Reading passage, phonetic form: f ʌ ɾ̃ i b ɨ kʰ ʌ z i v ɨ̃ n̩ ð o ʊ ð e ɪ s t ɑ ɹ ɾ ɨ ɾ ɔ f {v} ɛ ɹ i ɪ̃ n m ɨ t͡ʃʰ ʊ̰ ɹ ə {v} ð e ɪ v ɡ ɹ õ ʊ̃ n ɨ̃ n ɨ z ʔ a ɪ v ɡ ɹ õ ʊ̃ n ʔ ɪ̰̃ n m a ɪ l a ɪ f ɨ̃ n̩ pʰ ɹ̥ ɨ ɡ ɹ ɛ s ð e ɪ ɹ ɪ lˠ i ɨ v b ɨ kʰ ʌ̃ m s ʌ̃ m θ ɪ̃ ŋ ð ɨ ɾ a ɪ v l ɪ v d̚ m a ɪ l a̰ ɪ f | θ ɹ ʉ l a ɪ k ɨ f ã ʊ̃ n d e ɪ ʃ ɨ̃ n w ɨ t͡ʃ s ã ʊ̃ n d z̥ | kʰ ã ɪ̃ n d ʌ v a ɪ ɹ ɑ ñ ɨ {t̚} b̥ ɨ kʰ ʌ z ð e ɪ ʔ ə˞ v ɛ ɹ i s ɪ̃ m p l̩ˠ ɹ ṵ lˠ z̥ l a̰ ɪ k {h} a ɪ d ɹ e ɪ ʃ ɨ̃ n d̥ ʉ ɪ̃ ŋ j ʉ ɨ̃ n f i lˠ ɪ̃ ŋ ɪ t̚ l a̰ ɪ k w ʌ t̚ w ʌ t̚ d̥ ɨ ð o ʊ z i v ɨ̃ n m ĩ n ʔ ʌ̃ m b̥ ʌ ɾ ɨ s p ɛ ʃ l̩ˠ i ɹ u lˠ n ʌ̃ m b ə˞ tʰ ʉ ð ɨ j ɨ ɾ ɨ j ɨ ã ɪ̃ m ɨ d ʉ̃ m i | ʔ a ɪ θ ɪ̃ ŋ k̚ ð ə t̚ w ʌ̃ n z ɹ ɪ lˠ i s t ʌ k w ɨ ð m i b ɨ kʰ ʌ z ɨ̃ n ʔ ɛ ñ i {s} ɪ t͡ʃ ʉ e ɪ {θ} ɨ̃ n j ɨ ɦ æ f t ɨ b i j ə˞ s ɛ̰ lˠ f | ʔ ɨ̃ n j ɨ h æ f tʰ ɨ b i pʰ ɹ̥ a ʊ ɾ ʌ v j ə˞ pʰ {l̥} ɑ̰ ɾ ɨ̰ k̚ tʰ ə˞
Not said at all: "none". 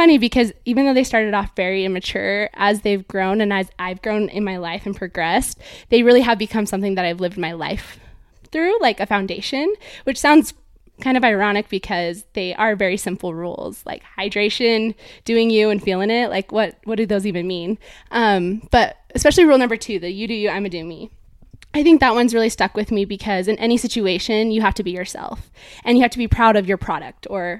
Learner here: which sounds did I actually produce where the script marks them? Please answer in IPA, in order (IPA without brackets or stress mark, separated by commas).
v, z, k̚, h, s, ʃ, ɹ̥